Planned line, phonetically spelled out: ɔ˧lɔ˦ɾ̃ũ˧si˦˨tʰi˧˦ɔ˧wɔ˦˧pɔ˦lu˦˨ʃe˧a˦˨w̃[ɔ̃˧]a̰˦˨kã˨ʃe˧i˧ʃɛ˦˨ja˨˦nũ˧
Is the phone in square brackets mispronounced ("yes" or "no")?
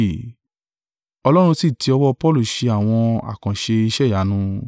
no